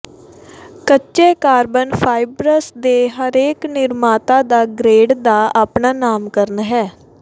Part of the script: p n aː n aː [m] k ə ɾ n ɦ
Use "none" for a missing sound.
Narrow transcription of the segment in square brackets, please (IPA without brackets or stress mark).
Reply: m